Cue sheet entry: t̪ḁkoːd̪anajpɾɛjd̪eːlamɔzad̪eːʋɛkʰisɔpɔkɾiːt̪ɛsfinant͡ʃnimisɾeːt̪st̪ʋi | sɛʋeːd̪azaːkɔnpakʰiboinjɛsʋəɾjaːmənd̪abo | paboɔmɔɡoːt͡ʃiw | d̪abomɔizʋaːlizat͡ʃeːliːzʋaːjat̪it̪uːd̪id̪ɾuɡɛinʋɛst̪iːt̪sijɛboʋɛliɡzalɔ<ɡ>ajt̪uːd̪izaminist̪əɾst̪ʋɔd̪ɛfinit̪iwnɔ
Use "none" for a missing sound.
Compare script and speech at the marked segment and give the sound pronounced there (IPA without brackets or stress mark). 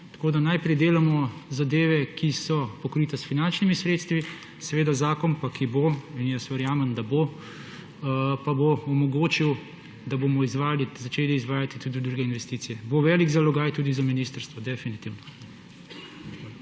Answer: ɡ